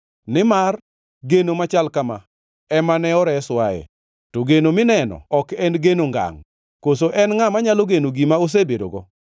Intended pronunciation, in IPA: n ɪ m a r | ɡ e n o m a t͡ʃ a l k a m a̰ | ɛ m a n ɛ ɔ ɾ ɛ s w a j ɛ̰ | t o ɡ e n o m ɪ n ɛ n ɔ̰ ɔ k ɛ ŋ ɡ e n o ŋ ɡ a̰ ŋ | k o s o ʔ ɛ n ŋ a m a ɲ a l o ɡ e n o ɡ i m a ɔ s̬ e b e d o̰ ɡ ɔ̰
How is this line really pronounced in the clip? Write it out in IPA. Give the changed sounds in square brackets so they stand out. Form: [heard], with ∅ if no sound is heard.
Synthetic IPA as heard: n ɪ m a r | ɡ e n o m a t͡ʃ a l k a m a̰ | ɛ m a n ɛ ɔ ɾ ɛ s w a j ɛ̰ | t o ɡ e n o m ɪ n ɛ n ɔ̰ ɔ k ɛ [n] ɡ e n o ŋ ɡ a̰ ŋ | k o s o ʔ ɛ n ŋ a m a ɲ a l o ɡ e n o ɡ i m a [o] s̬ e b e d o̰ ɡ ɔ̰